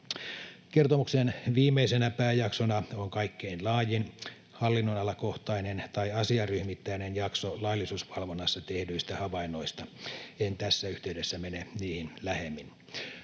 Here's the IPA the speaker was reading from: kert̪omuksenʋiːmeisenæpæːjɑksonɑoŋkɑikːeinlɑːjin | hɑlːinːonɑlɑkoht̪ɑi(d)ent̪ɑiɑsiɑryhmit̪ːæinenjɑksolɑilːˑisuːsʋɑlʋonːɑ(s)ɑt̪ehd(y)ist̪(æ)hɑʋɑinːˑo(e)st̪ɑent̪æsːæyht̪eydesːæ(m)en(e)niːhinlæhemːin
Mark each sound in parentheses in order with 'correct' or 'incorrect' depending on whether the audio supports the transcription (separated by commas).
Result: incorrect, incorrect, correct, correct, incorrect, correct, correct